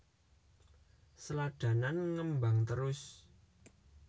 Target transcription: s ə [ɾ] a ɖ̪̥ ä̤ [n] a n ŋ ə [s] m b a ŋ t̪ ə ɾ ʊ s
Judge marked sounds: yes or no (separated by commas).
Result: no, yes, no